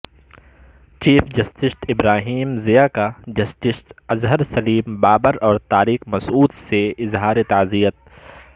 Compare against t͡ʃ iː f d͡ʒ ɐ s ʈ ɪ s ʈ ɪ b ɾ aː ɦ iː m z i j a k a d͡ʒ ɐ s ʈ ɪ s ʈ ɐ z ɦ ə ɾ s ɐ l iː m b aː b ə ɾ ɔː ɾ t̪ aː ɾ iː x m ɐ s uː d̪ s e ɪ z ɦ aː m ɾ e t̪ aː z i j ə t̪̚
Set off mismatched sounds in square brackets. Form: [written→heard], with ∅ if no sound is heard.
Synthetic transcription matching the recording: t͡ʃ iː f d͡ʒ ɐ s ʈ ɪ s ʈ ɪ b ɾ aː ɦ iː m z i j a k a d͡ʒ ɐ s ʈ ɪ s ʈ ɐ z ɦ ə ɾ s ɐ l iː m b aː b ə ɾ ɔː ɾ t̪ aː ɾ iː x m ɐ s uː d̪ s e ɪ z ɦ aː [m→∅] ɾ e t̪ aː z i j ə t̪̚